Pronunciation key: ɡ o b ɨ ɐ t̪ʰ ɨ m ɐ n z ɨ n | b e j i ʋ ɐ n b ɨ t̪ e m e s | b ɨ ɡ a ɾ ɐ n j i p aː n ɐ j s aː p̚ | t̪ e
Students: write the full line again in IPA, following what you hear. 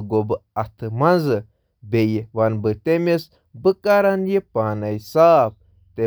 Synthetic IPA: ɡ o b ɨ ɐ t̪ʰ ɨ m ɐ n z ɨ | b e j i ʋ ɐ n b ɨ t̪ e m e s | b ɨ k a ɾ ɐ n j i p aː n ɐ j s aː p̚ | t̪ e